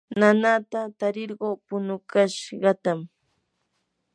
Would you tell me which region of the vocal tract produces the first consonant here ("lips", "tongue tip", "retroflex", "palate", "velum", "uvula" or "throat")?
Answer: tongue tip